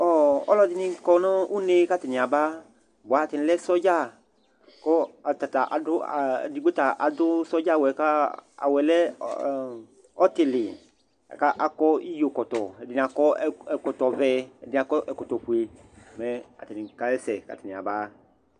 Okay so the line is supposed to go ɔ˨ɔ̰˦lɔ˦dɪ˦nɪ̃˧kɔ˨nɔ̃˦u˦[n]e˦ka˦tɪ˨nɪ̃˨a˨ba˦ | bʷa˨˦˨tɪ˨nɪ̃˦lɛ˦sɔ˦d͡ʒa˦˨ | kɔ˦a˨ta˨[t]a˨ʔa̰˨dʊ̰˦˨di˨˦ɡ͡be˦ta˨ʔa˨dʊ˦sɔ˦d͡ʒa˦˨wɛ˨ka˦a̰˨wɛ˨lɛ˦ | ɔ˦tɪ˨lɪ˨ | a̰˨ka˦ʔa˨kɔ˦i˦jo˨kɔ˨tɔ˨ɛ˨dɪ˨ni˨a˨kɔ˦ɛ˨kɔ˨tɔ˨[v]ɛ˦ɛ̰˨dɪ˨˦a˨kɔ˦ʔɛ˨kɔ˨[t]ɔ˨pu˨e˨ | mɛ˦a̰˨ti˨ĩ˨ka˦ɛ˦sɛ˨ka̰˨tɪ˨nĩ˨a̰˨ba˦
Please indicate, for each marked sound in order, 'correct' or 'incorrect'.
correct, correct, correct, correct

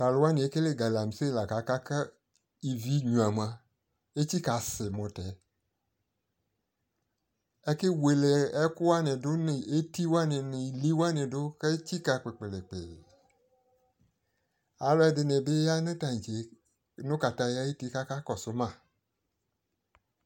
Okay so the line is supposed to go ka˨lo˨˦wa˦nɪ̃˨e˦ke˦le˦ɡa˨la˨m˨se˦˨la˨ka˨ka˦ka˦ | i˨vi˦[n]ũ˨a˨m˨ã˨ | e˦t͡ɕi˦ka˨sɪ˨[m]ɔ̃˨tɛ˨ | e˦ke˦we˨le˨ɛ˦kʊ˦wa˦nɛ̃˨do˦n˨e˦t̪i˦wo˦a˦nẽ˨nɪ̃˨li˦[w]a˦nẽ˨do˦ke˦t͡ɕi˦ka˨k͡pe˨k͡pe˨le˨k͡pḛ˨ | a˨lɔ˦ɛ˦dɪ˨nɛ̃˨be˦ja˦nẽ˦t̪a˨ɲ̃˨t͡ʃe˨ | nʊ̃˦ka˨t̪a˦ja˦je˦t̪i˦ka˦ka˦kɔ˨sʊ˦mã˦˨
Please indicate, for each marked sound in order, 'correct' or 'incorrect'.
incorrect, correct, correct

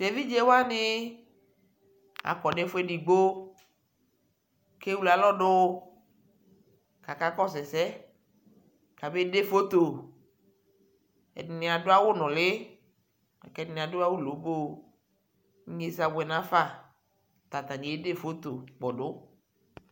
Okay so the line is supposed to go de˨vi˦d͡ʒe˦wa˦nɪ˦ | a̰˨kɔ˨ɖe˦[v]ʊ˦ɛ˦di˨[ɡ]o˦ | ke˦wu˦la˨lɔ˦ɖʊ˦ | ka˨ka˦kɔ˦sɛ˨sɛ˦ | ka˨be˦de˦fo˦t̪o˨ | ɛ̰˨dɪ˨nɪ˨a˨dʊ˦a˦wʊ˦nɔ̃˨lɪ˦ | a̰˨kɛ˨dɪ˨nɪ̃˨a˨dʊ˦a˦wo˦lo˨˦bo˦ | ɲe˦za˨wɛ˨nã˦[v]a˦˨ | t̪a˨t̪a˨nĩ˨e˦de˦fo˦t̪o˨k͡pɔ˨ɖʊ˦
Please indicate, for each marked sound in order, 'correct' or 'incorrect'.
incorrect, incorrect, incorrect

